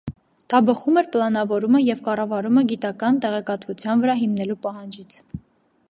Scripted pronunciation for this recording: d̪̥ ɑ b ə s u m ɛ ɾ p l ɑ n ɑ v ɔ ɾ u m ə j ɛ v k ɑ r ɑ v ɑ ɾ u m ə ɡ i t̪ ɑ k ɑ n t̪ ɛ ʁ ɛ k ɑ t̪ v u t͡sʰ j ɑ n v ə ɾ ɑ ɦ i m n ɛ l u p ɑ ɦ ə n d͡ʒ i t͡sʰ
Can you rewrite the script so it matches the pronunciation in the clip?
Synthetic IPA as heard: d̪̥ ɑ b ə χ u m ɛ ɾ p l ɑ n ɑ v ɔ ɾ u m ə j ɛ v k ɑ r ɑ v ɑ ɾ u m ə ɡ i t̪ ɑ k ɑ n t̪ ɛ ʁ ɛ k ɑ t̪ v u t͡sʰ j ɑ n v ə ɾ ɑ ɦ i m n ɛ l u p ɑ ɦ ɑ n d͡ʒ i t͡sʰ

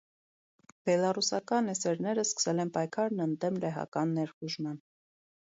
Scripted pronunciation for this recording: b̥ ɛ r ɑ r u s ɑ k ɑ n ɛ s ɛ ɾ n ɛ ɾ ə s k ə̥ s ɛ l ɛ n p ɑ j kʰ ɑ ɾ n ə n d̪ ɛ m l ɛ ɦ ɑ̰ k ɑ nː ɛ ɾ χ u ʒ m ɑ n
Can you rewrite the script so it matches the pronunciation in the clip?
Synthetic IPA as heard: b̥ ɛ l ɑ r u s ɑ k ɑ n ɛ s ɛ ɾ n ɛ ɾ ə s k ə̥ s ɛ l ɛ n p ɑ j kʰ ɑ ɾ n ə n d̪ ɛ m l ɛ ɦ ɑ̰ k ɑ nː ɛ ɾ χ u ʒ m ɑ n

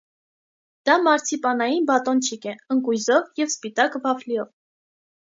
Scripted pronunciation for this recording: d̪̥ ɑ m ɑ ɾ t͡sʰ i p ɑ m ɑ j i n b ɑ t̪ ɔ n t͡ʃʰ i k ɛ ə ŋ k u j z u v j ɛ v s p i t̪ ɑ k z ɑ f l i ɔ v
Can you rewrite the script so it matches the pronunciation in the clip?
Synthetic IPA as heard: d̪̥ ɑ m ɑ ɾ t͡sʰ i p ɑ n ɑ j i n b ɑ t̪ ɔ n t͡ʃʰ i k ɛ ə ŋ k u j z ɔ v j ɛ v s p i t̪ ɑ k v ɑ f l i ɔ v

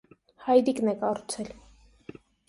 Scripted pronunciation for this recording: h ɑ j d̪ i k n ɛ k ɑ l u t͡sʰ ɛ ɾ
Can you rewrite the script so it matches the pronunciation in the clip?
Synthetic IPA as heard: h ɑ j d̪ i k n ɛ k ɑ ɾ u t͡sʰ ɛ l

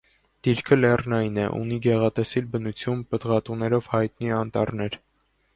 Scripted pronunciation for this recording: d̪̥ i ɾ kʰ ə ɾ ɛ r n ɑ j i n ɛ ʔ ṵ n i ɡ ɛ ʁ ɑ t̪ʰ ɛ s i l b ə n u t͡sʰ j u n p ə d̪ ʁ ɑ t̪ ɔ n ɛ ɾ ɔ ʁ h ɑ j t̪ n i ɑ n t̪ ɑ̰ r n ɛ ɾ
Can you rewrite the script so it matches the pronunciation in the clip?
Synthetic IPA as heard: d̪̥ i ɾ kʰ ə l ɛ r n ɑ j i n ɛ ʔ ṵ n i ɡ ɛ ʁ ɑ t̪ ɛ s i l b ə n u t͡sʰ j u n p ə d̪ ʁ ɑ t̪ u n ɛ ɾ ɔ v h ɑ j t̪ n i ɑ n t̪ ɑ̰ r n ɛ ɾ

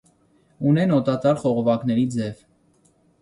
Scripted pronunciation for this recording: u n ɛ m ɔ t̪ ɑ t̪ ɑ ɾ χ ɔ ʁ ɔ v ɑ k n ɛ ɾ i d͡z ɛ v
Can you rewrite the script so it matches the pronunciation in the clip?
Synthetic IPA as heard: u n ɛ n ɔ t̪ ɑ t̪ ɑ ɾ χ ɔ ʁ ɔ v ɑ k n ɛ ɾ i d͡z ɛ v

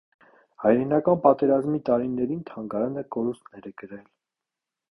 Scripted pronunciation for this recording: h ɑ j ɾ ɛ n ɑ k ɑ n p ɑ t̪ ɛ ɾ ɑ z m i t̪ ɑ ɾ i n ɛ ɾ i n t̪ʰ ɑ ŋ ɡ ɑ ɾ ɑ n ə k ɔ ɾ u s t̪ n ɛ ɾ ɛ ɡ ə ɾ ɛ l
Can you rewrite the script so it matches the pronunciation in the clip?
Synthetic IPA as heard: h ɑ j ɾ ɛ n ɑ k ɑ n p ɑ t̪ ɛ ɾ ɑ z m i t̪ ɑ ɾ i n ɛ ɾ i n t̪ʰ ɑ ŋ ɡ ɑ ɾ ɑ n ə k ɔ ɾ u s t̪ n ɛ ɾ ɛ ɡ ə ɾ ɛ l

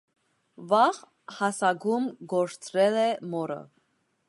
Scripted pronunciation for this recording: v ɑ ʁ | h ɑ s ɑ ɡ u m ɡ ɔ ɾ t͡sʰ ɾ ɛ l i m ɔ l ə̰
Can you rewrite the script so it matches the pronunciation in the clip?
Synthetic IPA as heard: v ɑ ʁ | h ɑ s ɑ ɡ u m ɡ ɔ ɾ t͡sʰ ɾ ɛ l ɛ m ɔ ɾ ə̰

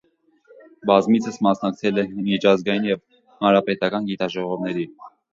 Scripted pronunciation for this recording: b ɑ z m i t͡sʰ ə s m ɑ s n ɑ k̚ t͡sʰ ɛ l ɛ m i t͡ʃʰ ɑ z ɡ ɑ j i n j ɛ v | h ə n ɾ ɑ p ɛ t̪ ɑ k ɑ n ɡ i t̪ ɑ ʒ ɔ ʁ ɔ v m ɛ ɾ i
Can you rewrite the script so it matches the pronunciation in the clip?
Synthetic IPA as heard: b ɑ z m i t͡sʰ ə s m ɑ s n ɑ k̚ t͡sʰ ɛ l ɛ m i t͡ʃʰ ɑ z ɡ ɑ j i n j ɛ v | h ɑ n ɾ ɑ p ɛ t̪ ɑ k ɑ n ɡ i t̪ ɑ ʒ ɔ ʁ ɔ v n ɛ ɾ i

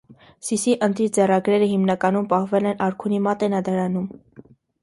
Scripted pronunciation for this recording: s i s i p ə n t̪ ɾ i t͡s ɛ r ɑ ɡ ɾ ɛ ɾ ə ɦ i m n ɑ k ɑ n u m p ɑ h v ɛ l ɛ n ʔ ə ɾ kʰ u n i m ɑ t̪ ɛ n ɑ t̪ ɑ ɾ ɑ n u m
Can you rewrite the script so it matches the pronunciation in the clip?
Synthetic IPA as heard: s i s i ʔ ə n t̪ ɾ i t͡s ɛ r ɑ ɡ ɾ ɛ ɾ ə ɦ i m n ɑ k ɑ n u m p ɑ h v ɛ l ɛ n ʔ ɑ ɾ kʰ u n i m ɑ t̪ ɛ n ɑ d̪ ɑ ɾ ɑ n u m

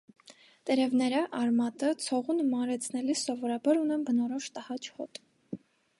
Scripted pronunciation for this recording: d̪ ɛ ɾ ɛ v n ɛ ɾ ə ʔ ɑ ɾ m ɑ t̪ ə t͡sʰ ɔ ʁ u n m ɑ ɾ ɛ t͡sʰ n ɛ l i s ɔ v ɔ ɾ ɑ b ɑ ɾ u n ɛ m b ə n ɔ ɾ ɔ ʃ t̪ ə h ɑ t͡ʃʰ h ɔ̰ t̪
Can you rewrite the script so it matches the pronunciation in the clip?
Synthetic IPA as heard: t̪ ɛ ɾ ɛ v n ɛ ɾ ə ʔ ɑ ɾ m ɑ t̪ ə t͡sʰ ɔ ʁ u n m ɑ ɾ ɛ t͡sʰ n ɛ l i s ɔ v ɔ ɾ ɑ b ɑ ɾ u n ɛ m b ə n ɔ ɾ ɔ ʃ t̪ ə h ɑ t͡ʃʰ h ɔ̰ t̪

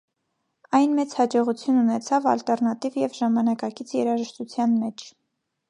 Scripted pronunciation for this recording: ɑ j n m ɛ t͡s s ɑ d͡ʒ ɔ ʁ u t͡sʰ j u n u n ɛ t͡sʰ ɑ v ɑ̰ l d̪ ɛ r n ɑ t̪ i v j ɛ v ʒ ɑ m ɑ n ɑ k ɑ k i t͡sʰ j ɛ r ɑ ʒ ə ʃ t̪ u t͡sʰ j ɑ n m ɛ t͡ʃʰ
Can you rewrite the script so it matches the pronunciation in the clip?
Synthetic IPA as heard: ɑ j n m ɛ t͡s h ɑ d͡ʒ ɔ ʁ u t͡sʰ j u n u n ɛ t͡sʰ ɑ v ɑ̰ l t̪ ɛ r n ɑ t̪ i v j ɛ v ʒ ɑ m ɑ n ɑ k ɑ k i t͡sʰ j ɛ ɾ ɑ ʒ ə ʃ t̪ u t͡sʰ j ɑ n m ɛ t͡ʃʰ

